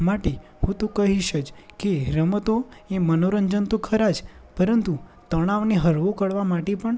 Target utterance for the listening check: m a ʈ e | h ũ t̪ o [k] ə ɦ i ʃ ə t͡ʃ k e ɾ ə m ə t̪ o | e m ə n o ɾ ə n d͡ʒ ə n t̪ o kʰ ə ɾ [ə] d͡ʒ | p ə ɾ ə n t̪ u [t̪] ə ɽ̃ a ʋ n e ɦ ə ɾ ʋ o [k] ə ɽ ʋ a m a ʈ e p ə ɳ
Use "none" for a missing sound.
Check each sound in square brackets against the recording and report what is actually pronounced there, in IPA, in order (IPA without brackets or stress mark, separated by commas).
k, a, t̪, k